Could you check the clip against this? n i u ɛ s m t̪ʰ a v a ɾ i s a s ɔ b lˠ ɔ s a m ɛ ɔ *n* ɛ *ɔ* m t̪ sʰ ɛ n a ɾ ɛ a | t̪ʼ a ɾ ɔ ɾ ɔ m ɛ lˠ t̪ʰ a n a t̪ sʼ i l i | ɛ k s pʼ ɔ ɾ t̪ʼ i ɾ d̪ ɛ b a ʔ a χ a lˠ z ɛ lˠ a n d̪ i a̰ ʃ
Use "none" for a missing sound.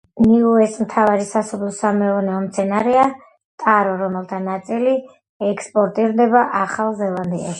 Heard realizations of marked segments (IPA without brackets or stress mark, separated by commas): n, ɔ